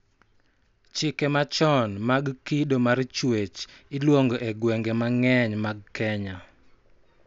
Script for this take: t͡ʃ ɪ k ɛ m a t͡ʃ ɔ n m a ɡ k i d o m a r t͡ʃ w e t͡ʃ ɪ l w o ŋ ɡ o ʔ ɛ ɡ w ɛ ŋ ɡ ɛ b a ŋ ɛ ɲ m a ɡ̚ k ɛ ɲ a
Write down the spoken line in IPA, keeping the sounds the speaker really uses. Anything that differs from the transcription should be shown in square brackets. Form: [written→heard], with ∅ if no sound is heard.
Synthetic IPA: t͡ʃ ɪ k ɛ m a t͡ʃ ɔ n m a ɡ k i d o m a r t͡ʃ w e t͡ʃ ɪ l w o ŋ ɡ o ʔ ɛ ɡ w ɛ ŋ ɡ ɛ [b→m] a ŋ ɛ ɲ m a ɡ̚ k ɛ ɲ a